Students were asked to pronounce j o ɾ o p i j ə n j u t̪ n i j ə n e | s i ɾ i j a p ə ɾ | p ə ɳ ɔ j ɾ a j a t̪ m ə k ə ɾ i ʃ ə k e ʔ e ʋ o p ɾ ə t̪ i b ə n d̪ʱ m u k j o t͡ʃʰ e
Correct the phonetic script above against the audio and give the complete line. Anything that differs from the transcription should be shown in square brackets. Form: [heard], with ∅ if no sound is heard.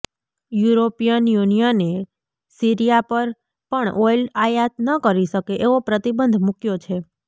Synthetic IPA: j [u] ɾ o p i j ə n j u [∅] n i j ə n e | s i ɾ i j a p ə ɾ | p ə ɳ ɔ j [l] a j a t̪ [n] ə k ə ɾ i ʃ ə k e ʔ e ʋ o p ɾ ə t̪ i b ə n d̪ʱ m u k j o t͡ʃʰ e